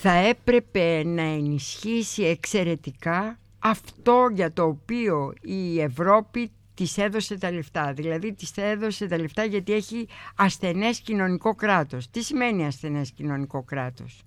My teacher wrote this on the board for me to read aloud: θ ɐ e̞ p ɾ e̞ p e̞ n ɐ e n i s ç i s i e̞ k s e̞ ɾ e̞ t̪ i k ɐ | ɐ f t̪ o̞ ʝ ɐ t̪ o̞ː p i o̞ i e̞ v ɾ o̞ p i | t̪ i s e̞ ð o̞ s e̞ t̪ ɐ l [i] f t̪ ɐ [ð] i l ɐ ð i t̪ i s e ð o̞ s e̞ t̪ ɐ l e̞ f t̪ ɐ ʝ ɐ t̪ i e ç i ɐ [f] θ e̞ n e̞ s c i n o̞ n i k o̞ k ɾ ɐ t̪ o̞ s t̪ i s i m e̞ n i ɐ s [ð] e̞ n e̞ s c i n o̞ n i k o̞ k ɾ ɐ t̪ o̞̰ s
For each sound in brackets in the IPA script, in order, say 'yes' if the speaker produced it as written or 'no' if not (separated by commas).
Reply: no, yes, no, no